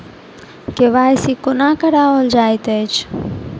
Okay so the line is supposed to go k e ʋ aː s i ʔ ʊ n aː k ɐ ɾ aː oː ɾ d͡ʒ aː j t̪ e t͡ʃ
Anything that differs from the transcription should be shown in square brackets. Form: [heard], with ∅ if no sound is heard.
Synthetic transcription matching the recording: k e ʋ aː s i [k] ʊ n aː k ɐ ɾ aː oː [l] d͡ʒ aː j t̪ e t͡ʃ